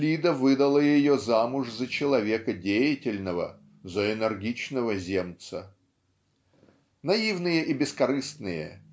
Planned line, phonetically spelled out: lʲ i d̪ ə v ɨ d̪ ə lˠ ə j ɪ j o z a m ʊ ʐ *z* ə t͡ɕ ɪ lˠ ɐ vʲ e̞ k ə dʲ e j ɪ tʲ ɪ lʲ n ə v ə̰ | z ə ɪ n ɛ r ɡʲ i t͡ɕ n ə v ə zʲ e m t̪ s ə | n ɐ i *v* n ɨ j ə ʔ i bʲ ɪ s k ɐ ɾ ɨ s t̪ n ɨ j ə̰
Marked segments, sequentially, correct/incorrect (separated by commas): correct, correct